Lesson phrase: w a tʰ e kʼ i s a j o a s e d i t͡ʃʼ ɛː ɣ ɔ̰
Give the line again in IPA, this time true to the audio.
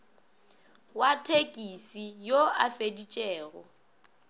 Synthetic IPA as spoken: w a tʰ e kʼ i s i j o a f e d i t͡ʃʼ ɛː ɣ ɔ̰